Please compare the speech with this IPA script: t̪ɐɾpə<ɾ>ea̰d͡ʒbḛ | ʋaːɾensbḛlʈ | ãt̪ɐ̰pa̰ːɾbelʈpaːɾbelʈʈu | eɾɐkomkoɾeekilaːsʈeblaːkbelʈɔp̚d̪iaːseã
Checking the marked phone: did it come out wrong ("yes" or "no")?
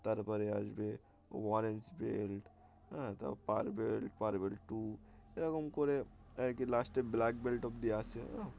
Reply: no